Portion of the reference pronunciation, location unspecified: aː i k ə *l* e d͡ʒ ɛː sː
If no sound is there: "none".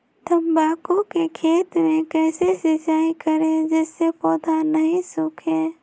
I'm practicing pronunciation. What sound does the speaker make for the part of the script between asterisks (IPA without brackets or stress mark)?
ɾ